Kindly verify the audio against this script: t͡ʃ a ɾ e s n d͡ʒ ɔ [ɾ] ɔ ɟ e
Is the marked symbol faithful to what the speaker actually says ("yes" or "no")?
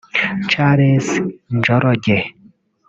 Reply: yes